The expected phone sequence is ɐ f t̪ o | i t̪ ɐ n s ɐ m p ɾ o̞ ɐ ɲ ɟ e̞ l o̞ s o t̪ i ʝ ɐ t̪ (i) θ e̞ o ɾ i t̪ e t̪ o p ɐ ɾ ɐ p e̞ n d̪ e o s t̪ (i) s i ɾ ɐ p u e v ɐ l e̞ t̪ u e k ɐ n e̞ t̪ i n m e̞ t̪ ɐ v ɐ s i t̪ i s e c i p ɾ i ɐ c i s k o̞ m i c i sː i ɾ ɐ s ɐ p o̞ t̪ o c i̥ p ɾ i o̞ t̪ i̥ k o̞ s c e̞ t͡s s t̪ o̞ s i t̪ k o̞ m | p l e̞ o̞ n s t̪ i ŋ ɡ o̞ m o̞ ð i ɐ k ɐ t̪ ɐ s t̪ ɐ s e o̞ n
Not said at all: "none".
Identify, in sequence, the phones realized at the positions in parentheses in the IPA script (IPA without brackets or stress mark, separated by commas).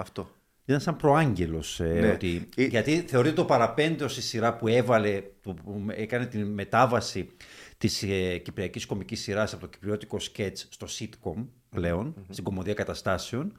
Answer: i, i